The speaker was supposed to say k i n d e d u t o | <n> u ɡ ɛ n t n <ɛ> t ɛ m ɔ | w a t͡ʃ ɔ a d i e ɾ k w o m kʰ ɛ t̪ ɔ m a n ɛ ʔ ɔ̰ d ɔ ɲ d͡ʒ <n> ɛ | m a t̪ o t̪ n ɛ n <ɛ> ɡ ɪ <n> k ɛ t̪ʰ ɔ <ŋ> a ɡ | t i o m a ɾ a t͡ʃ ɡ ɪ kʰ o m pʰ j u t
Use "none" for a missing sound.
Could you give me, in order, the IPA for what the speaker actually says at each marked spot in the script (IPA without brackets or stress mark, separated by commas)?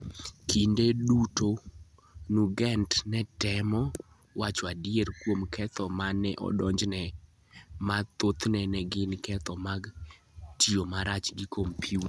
n, ɛ, n, ɛ, n, m